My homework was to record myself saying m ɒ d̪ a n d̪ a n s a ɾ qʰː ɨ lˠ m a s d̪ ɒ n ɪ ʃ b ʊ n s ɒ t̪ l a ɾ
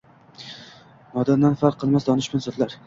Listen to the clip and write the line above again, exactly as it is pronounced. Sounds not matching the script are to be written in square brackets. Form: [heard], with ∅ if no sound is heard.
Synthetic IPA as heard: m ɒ d̪ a n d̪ a n [f] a ɾ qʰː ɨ lˠ m a s d̪ ɒ n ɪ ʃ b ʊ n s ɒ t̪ l a ɾ